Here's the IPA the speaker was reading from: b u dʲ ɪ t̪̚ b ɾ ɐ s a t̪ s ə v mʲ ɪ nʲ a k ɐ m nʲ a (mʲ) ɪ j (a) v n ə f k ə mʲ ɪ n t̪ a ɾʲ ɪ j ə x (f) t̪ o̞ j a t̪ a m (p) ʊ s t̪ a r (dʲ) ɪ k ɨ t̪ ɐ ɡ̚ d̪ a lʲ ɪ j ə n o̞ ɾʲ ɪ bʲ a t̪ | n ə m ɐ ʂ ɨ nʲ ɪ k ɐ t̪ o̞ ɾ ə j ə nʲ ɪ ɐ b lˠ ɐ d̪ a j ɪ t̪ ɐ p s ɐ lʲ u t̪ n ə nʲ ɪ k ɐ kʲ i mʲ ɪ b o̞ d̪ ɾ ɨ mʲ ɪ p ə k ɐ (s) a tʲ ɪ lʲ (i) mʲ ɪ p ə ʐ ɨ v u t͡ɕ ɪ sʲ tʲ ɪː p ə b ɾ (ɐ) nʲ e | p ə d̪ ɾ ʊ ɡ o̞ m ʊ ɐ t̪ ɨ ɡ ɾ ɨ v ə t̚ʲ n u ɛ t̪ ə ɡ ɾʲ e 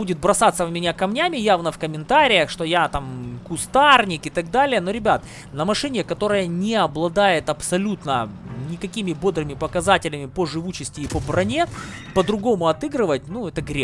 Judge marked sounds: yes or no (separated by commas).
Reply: yes, yes, no, no, no, no, no, yes